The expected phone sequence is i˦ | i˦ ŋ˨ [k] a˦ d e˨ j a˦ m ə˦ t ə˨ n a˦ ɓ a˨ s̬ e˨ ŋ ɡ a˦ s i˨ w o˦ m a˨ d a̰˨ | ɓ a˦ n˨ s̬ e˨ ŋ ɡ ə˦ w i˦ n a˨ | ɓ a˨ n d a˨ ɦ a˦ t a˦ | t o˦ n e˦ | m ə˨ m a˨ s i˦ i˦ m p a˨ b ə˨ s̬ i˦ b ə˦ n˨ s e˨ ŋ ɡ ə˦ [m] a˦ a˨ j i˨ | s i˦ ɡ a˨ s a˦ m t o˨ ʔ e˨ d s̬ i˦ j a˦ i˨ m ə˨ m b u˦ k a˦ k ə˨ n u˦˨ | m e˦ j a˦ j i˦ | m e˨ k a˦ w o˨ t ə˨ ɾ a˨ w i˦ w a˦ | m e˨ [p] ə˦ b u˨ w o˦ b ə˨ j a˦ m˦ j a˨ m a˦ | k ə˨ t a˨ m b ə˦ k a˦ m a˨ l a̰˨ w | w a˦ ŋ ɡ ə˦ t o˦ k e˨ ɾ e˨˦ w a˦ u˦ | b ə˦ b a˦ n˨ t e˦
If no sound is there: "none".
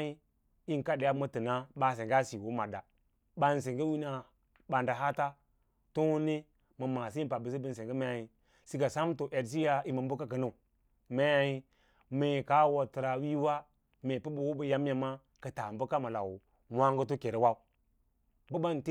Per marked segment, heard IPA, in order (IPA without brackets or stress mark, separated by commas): k, m, p